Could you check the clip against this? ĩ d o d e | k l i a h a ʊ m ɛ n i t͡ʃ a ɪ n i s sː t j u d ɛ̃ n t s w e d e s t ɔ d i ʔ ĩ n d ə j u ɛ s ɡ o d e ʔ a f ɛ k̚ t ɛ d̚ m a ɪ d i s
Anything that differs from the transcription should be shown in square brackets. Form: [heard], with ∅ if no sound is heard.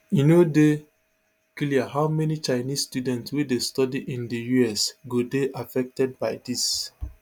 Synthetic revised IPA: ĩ [n] o d e | k l i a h a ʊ m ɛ n i t͡ʃ a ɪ n i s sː t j u d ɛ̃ n t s w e d e s t ɔ d i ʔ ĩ n d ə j u ɛ s ɡ o d e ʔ a f ɛ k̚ t ɛ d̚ [b] a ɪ d i s

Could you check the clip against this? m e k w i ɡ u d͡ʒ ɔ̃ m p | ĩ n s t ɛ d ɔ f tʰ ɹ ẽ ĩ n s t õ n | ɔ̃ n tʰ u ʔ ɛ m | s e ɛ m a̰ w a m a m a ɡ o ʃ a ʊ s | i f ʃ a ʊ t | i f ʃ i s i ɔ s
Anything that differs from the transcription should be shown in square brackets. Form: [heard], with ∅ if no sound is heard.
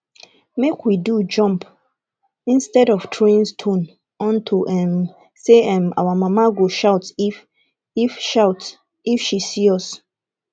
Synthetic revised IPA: m e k w i [d] u d͡ʒ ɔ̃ m p | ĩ n s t ɛ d ɔ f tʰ ɹ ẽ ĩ n s [tʰ] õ n | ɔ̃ n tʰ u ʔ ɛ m | s e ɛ m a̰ w a m a m a ɡ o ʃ a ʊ [t] | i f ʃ a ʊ t | i f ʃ i s i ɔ s

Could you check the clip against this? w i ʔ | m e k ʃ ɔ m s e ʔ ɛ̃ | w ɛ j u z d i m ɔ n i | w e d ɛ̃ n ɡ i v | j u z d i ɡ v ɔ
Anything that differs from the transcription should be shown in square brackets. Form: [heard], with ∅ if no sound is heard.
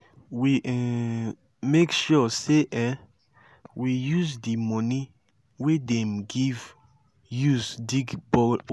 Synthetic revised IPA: w i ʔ | m e k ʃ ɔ [∅] s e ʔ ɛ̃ | w [i] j u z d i m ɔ n i | w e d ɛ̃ [m] ɡ i v | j u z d i ɡ [b] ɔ

